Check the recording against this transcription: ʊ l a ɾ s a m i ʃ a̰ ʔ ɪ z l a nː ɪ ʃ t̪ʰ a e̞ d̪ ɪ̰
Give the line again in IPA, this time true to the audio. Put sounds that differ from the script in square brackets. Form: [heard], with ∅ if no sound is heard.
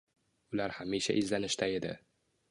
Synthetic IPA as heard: ʊ l a ɾ [h] a m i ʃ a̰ ʔ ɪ z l a [n] ɪ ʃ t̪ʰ a e̞ d̪ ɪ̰